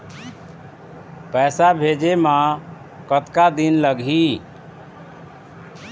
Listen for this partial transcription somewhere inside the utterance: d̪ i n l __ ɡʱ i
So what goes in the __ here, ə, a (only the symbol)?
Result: ə